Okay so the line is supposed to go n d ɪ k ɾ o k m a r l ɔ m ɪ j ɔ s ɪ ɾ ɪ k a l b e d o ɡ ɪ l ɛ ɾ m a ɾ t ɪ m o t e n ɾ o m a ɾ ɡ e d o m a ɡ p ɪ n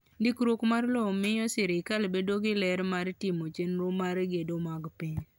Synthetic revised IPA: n d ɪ k ɾ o k m a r l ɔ m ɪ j ɔ s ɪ ɾ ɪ k a l b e d o ɡ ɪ l ɛ ɾ m a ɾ t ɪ m o t͡ʃ e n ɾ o m a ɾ ɡ e d o m a ɡ p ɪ ɲ